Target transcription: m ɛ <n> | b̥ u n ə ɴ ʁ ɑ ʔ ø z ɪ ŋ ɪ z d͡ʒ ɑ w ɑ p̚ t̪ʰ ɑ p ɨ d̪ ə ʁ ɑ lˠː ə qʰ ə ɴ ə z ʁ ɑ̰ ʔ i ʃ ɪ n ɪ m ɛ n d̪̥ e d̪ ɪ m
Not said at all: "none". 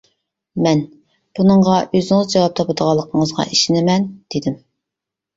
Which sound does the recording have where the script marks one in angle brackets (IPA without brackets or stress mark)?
n